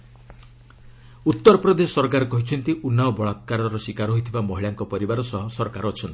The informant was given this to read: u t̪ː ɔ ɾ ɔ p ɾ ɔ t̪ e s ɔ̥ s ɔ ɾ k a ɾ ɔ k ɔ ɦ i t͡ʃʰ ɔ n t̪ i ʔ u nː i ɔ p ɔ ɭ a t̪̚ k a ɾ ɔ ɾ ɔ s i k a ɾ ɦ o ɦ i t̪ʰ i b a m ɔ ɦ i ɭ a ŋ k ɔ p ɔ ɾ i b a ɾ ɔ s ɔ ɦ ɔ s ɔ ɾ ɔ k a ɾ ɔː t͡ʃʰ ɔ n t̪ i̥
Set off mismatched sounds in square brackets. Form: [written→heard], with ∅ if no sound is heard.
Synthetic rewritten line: u t̪ː ɔ ɾ ɔ p ɾ ɔ [t̪→d̪] e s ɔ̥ s ɔ ɾ k a ɾ ɔ k ɔ ɦ i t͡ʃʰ ɔ n t̪ i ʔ u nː [i→a] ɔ [p→b] ɔ ɭ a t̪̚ k a ɾ ɔ ɾ ɔ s i k a ɾ ɦ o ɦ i t̪ʰ i b a m ɔ ɦ i ɭ a ŋ k ɔ p ɔ ɾ i b a ɾ ɔ s ɔ ɦ ɔ s ɔ ɾ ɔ k a ɾ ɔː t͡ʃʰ ɔ n t̪ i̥